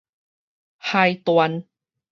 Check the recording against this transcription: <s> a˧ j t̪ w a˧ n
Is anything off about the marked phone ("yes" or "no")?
yes